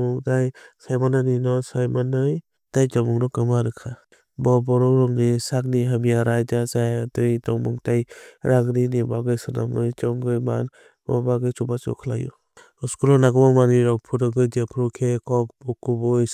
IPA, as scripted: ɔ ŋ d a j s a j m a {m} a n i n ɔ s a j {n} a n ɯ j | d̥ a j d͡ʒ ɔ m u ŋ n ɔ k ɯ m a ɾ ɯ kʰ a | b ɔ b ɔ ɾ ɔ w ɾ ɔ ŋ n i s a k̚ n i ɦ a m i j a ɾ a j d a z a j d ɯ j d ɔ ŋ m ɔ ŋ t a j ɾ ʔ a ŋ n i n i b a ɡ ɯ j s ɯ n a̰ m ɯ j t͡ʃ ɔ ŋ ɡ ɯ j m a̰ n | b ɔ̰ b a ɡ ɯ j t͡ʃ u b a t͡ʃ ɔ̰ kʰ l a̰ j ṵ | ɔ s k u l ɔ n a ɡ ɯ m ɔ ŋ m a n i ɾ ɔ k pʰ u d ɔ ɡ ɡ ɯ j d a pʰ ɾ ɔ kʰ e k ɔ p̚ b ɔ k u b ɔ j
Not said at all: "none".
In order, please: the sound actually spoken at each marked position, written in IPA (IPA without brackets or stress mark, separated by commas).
n, m